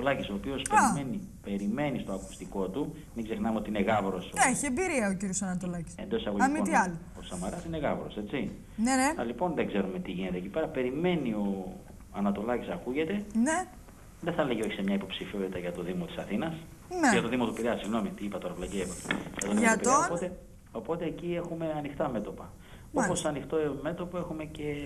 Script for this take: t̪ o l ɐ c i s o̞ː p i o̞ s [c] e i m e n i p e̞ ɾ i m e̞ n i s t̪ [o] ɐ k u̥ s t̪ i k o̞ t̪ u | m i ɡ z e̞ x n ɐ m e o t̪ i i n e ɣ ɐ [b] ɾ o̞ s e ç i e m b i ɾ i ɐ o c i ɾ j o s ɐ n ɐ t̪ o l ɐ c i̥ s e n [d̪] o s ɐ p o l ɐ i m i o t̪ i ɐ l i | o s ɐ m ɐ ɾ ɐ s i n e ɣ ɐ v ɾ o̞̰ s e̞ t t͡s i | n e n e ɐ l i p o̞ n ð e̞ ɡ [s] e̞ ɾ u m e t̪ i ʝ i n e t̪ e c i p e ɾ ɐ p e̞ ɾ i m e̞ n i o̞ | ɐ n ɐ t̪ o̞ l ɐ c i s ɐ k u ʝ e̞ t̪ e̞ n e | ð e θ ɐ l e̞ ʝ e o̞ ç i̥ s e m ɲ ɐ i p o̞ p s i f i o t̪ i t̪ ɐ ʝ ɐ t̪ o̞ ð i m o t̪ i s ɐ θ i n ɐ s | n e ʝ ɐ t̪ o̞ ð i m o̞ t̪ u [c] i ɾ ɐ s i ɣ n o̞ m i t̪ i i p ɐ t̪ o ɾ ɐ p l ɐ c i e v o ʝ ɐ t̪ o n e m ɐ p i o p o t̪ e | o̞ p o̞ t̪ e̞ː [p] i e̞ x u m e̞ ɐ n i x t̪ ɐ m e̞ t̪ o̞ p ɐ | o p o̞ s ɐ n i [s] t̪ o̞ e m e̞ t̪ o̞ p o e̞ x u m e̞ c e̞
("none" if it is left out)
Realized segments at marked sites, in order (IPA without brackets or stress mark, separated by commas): p, o, v, d̪, z, p, c, x